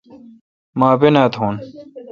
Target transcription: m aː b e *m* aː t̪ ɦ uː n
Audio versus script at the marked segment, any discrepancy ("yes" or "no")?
yes